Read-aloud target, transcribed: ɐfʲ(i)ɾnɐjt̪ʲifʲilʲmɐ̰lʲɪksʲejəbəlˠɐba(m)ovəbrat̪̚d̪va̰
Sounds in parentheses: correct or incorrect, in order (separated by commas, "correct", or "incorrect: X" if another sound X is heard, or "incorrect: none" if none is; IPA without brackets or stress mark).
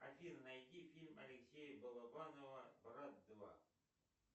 correct, incorrect: n